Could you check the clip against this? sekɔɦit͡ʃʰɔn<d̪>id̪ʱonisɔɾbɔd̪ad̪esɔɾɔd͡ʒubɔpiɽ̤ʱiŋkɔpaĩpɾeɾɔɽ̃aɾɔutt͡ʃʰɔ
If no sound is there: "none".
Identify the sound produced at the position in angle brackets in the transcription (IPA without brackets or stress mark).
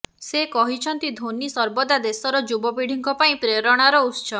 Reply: t̪